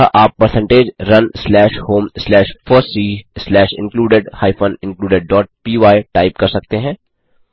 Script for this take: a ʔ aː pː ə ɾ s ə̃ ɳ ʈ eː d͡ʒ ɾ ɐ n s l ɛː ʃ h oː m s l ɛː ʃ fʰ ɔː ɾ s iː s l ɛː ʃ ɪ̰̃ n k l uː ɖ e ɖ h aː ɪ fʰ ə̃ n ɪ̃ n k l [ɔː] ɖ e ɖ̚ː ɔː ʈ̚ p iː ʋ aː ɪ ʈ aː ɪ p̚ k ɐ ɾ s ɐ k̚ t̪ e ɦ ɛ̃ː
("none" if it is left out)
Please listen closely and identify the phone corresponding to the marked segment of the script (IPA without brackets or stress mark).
uː